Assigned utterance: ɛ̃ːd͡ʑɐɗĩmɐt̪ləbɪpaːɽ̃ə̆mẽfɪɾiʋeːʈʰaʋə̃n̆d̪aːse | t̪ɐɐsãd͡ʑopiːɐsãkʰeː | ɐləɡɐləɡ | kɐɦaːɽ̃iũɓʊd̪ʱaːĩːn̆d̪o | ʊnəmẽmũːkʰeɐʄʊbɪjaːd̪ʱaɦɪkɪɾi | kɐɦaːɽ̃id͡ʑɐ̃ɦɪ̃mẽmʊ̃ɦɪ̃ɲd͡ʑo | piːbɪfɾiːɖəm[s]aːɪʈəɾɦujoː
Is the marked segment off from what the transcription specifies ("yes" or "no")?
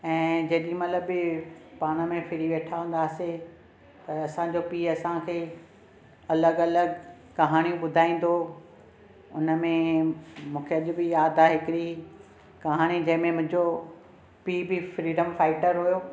yes